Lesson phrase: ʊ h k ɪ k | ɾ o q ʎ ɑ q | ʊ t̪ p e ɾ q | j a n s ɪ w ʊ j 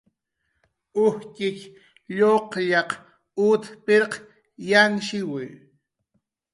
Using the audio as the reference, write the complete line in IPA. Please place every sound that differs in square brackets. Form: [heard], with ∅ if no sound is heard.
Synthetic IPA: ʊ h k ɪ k | [ʎ] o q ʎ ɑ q | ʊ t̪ p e ɾ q | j a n [ʃ] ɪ w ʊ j